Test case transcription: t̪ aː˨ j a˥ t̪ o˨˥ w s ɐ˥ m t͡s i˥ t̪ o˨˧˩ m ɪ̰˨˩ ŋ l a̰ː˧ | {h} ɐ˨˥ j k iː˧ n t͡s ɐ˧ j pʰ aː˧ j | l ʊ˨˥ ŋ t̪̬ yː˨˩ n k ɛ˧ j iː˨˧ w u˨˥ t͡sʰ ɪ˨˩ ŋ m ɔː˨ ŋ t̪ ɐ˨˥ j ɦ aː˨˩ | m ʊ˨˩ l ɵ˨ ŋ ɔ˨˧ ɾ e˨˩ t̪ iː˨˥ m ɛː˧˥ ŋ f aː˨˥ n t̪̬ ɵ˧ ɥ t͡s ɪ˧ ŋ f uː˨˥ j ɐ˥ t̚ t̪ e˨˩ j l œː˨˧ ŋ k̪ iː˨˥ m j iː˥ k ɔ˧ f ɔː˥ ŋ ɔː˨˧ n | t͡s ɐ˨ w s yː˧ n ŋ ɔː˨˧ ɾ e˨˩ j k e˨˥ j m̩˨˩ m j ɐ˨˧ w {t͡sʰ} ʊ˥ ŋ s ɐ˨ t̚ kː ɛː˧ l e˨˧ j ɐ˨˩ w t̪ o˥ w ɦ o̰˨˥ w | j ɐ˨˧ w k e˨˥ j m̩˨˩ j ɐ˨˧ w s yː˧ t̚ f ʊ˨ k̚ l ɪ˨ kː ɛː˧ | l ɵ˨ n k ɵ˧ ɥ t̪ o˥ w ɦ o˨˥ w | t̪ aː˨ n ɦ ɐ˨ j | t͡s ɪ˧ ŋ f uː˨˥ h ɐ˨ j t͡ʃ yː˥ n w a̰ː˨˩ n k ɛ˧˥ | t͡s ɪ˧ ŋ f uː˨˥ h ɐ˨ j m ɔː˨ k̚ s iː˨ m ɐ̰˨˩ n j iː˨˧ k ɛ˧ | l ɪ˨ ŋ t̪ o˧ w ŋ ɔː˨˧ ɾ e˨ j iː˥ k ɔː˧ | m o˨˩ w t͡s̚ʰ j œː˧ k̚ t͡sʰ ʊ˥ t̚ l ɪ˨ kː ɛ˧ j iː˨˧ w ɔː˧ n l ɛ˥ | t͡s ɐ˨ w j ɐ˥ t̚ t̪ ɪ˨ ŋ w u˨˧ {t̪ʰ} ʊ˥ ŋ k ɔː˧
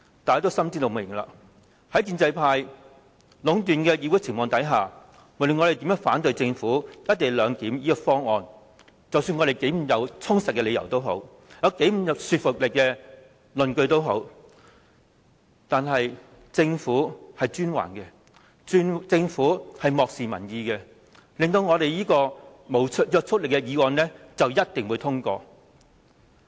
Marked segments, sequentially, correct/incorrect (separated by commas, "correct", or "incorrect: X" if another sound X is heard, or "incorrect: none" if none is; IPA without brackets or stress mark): correct, correct, correct